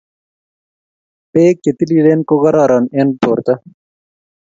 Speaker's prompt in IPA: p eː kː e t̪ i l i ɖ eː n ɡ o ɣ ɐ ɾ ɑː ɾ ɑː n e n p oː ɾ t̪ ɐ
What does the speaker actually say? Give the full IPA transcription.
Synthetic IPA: p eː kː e t̪ i l i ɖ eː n k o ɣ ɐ ɾ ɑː ɾ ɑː n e n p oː ɾ t̪ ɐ